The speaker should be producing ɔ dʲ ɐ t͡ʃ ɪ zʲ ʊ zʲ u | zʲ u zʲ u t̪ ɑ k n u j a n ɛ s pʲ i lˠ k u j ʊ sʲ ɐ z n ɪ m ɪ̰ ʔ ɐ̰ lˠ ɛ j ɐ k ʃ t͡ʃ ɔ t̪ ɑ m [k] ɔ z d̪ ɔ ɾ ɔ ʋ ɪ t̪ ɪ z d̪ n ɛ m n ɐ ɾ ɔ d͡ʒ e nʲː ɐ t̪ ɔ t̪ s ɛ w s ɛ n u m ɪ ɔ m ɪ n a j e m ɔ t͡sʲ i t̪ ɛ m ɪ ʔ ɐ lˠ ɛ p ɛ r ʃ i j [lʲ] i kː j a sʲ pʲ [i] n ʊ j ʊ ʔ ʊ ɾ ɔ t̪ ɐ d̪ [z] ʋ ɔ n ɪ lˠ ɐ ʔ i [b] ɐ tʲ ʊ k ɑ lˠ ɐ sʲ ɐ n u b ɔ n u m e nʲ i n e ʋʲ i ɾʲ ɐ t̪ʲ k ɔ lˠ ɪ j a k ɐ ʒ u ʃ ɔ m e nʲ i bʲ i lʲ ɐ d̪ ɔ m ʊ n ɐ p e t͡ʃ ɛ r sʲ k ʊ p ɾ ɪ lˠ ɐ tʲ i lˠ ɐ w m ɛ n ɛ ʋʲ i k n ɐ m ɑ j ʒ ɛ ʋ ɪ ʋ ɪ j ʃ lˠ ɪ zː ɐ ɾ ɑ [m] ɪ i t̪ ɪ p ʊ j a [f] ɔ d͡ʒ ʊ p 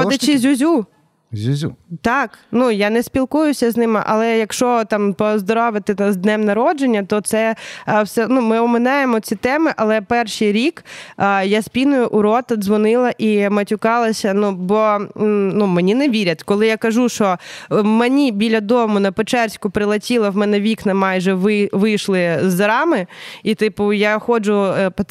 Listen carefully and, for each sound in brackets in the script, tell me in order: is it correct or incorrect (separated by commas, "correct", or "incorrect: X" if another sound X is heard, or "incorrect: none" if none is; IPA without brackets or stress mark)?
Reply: incorrect: p, incorrect: ɾʲ, correct, correct, incorrect: m, correct, incorrect: x